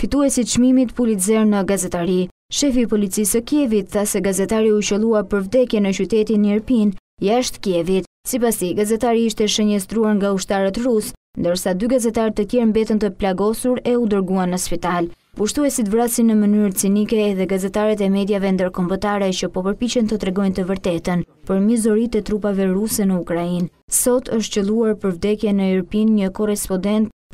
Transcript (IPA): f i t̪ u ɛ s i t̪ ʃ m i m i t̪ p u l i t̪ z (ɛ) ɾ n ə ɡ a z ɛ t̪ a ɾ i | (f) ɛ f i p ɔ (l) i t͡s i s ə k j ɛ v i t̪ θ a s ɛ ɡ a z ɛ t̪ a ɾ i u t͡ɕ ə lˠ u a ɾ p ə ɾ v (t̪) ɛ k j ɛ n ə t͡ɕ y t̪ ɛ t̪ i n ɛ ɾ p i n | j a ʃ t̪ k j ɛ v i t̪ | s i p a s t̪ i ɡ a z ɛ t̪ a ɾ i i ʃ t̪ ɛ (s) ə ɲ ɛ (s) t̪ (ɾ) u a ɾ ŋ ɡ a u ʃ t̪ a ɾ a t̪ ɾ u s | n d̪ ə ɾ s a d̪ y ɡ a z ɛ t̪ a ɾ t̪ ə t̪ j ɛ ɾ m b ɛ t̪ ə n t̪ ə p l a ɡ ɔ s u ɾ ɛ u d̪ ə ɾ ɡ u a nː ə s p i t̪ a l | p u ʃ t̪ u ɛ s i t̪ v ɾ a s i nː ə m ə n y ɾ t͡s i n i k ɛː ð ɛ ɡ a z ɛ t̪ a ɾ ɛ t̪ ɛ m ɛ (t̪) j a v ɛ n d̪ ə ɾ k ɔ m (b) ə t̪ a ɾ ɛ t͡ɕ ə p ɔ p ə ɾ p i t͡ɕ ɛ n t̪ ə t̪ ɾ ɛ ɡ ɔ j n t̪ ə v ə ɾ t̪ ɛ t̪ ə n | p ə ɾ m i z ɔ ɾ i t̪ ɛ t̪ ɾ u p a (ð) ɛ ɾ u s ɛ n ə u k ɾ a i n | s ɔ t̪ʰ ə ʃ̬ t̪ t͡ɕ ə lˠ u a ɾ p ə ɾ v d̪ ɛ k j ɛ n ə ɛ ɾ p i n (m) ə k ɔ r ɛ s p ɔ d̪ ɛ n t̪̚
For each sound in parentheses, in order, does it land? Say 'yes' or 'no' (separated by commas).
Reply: yes, no, yes, no, no, yes, yes, no, yes, no, no